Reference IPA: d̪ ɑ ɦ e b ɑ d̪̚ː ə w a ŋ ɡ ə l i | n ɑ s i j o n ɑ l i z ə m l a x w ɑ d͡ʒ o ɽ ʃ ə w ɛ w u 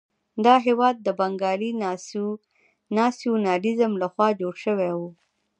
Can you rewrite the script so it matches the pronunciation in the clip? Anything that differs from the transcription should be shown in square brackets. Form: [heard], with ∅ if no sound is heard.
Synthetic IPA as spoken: d̪ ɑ ɦ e [w] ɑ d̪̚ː ə [b] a ŋ ɡ [ɑ] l i | n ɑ s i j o n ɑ l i z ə m l a x w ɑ d͡ʒ o ɽ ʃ ə w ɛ w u